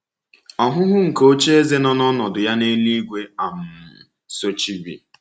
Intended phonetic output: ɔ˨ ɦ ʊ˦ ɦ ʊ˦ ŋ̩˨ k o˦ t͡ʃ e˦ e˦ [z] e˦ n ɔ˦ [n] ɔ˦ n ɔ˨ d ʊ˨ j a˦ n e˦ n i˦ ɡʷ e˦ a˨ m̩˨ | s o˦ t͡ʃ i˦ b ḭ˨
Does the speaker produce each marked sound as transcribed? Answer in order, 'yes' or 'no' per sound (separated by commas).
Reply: yes, yes